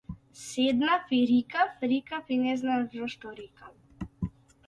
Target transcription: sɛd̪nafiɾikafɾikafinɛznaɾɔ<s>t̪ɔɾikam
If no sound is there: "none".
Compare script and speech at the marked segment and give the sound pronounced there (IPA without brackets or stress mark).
ʃ